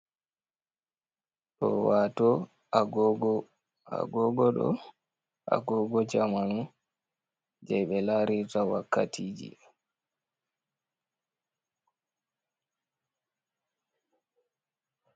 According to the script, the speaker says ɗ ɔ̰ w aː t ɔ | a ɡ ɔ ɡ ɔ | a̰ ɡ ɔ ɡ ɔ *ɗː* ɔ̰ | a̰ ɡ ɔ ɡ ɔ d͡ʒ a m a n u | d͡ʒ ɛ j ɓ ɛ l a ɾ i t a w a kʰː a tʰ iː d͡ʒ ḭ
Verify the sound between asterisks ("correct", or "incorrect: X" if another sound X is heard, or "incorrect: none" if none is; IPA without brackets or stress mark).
incorrect: ɗ